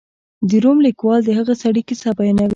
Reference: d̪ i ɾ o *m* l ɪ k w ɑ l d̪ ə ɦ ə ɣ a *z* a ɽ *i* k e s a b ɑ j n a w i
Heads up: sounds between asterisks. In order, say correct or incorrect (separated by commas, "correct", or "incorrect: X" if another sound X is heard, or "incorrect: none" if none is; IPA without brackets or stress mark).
correct, incorrect: s, correct